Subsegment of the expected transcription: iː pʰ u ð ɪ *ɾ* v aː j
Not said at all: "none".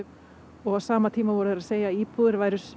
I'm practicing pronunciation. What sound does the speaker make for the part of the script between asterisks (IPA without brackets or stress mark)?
ɾ